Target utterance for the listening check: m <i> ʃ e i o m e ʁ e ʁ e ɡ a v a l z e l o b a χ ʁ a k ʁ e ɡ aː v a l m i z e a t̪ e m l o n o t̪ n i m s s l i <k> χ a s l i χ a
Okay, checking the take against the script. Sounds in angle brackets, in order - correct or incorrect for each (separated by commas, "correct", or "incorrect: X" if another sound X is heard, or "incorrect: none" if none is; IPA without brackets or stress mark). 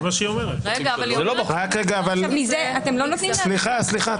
incorrect: a, incorrect: none